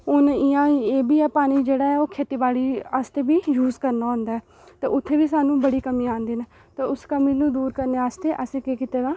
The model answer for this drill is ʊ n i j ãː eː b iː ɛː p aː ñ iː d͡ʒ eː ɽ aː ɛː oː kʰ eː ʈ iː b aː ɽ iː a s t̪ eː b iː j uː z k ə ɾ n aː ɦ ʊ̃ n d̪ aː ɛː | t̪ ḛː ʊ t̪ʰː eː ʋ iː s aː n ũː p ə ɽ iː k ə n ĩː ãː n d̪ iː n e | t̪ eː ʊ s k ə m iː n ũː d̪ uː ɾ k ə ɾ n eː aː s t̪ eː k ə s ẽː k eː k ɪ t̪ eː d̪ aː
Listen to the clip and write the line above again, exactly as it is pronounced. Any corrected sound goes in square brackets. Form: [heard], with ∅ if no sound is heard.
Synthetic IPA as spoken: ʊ n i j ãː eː b iː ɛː p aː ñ iː d͡ʒ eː ɽ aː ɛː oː kʰ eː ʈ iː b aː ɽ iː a s t̪ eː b iː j uː z k ə ɾ n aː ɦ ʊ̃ n d̪ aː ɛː | t̪ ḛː ʊ t̪ʰː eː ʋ iː s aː n ũː [b] ə ɽ iː k ə [m] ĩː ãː n d̪ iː n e | t̪ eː ʊ s k ə m iː n ũː d̪ uː ɾ k ə ɾ n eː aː s t̪ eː [ʔ] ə s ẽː k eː k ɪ t̪ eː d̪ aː

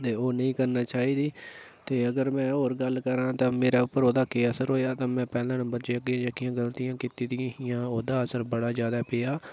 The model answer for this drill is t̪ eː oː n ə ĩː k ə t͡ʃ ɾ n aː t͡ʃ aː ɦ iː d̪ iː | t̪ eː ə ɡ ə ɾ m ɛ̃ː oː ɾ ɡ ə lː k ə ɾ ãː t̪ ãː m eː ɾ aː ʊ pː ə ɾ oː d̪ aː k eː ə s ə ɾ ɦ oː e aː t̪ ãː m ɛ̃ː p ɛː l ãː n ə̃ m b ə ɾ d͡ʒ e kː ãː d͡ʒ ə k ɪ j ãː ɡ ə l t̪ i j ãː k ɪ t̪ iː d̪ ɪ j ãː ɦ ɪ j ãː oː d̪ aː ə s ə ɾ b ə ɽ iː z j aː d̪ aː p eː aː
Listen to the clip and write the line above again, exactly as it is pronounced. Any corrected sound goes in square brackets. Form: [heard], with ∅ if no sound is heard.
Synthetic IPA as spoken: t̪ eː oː n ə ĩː k ə [∅] ɾ n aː t͡ʃ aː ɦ iː d̪ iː | t̪ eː ə ɡ ə ɾ m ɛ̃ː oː ɾ ɡ ə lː k ə ɾ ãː t̪ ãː m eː ɾ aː ʊ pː ə ɾ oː d̪ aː k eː ə s ə ɾ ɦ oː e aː t̪ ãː m ɛ̃ː p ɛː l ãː n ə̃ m b ə ɾ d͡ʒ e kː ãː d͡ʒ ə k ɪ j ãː ɡ ə l t̪ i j ãː k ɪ t̪ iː d̪ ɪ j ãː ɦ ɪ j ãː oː d̪ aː ə s ə ɾ b ə ɽ [aː] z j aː d̪ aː p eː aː

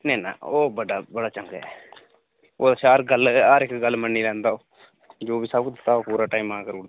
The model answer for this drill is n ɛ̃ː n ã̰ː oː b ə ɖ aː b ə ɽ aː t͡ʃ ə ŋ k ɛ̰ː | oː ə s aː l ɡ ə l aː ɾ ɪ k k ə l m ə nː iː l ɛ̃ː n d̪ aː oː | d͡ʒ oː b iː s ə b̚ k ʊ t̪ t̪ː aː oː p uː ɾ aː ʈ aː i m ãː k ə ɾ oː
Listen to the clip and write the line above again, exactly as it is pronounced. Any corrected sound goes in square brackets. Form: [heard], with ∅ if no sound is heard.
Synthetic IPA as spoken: n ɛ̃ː n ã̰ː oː b ə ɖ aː b ə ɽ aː t͡ʃ ə ŋ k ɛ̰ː | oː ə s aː [ɾ] ɡ ə l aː ɾ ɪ k [ɡ] ə l m ə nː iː l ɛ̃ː n d̪ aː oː | d͡ʒ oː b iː s ə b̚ k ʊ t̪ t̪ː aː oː p uː ɾ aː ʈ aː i m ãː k ə ɾ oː

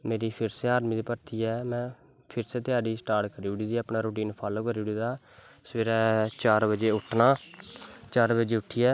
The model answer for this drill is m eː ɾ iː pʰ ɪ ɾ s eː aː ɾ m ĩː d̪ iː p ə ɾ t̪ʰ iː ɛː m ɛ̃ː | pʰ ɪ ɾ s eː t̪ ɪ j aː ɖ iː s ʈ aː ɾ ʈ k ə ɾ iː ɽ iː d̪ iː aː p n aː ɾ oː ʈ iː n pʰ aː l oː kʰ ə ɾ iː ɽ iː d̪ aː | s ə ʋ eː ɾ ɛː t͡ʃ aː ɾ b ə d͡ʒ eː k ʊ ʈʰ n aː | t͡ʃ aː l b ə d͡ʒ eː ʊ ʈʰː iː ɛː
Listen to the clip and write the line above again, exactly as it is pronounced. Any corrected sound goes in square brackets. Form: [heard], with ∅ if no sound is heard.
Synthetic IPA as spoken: m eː ɾ iː pʰ ɪ ɾ s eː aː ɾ m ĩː d̪ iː p ə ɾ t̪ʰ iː ɛː m ɛ̃ː | pʰ ɪ ɾ s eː t̪ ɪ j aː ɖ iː s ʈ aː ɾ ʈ k ə ɾ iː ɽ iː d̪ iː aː p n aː ɾ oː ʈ iː n pʰ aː l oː [k] ə ɾ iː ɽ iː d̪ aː | s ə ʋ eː ɾ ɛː t͡ʃ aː ɾ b ə d͡ʒ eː [∅] ʊ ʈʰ n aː | t͡ʃ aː [ɾ] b ə d͡ʒ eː ʊ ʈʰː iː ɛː

